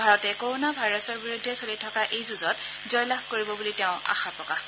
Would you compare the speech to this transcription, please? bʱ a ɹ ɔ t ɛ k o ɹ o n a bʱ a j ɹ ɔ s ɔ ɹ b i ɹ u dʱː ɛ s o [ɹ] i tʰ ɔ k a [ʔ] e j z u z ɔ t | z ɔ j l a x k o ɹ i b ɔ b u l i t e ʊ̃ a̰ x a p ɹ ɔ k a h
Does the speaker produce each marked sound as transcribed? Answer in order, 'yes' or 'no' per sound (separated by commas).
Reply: no, yes